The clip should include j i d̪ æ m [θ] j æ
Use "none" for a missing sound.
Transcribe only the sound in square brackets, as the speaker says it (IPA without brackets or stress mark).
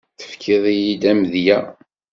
ð